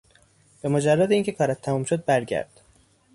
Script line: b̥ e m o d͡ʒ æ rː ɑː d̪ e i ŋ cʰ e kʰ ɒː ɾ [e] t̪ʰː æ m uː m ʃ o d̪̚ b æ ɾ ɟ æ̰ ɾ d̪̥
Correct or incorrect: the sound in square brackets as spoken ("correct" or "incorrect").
incorrect